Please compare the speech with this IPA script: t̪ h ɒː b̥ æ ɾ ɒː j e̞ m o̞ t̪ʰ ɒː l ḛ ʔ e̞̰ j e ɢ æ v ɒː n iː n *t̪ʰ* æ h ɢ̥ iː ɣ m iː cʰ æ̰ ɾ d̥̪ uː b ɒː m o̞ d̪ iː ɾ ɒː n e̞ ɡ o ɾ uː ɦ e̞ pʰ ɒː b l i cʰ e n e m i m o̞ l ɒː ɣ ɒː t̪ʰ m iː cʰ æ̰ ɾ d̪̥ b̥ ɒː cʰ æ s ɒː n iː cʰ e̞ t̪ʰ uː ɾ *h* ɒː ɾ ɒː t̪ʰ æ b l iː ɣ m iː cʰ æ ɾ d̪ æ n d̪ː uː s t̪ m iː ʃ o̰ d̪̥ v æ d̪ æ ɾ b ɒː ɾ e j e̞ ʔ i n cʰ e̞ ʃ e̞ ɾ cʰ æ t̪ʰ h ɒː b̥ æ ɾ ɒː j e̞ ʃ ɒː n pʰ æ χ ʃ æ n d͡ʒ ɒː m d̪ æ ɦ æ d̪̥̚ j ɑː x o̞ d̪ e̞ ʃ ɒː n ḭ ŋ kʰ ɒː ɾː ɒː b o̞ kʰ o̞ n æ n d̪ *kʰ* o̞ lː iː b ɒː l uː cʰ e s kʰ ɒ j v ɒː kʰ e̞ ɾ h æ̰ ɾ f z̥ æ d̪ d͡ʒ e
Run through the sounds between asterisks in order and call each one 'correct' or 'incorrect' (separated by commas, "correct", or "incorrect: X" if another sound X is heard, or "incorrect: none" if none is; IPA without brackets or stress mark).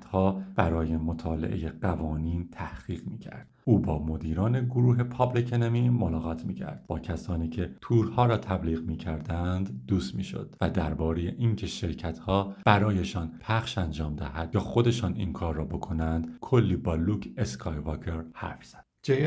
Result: correct, correct, correct